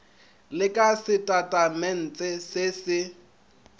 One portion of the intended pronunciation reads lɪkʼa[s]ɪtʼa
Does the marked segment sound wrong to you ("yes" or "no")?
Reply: no